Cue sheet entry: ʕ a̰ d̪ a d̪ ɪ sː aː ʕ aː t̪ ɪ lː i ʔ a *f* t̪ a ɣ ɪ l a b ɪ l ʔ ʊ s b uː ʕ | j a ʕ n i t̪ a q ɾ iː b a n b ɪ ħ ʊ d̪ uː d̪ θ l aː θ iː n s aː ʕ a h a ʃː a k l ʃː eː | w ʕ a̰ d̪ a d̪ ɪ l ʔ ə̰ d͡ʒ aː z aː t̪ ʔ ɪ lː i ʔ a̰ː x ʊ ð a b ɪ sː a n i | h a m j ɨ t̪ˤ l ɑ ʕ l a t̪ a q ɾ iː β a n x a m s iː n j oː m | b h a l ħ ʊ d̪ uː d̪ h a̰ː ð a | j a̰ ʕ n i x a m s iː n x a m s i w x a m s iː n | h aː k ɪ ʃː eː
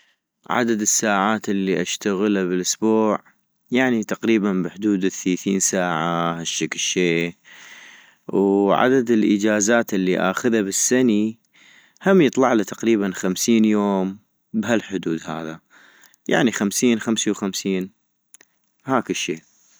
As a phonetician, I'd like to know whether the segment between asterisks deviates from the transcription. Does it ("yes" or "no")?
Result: yes